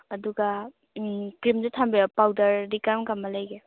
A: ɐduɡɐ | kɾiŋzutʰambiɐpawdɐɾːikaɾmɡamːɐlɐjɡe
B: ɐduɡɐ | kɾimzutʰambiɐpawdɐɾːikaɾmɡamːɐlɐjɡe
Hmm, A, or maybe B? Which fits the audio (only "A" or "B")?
B